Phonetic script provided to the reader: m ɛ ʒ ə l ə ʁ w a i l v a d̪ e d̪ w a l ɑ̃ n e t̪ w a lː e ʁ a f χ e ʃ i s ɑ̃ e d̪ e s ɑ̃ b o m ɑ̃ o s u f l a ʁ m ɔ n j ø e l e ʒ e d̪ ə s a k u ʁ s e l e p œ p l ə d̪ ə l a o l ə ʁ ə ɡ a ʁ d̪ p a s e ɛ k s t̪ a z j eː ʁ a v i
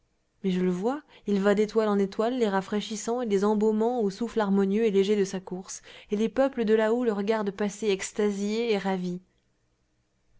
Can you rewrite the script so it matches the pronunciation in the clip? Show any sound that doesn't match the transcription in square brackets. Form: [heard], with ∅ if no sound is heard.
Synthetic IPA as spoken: m ɛ ʒ ə l ə [v] w a i l v a d̪ e [t̪] w a l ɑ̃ n e t̪ w a lː e ʁ a f χ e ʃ i s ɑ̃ e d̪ e [z] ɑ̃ b o m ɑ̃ o s u f l a ʁ m ɔ n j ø e l e ʒ e d̪ ə s a k u ʁ s e l e p œ p l ə d̪ ə l a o l ə ʁ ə ɡ a ʁ d̪ p a s e ɛ k s t̪ a z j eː ʁ a v i